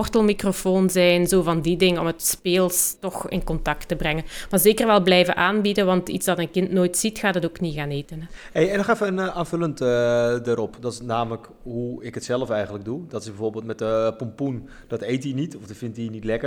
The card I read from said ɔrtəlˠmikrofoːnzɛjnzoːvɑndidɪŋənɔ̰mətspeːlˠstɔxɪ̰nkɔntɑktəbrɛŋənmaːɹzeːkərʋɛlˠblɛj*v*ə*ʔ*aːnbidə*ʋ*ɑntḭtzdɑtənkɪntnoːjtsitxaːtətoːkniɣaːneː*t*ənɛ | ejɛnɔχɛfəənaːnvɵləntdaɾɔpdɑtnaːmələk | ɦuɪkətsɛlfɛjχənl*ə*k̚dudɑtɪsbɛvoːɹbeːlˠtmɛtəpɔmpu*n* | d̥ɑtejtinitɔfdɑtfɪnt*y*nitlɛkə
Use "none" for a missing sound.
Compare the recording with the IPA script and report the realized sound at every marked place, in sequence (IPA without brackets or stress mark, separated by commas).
v, ʔ, ʋ, t, ə, n, i